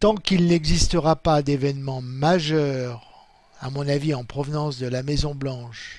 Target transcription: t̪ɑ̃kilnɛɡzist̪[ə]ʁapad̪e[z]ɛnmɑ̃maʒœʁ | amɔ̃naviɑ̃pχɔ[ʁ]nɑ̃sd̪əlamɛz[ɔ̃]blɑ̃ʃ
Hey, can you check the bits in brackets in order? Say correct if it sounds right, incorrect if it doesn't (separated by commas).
correct, incorrect, incorrect, correct